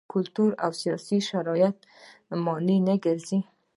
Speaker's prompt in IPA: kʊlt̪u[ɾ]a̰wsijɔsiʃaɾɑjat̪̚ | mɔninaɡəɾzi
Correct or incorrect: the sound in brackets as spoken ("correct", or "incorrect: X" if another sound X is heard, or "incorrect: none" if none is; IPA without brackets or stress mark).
correct